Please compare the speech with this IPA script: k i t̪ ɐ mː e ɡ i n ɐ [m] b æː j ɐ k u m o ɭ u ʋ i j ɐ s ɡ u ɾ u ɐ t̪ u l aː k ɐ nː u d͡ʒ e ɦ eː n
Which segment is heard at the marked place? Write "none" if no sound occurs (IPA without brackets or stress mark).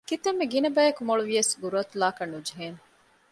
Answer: none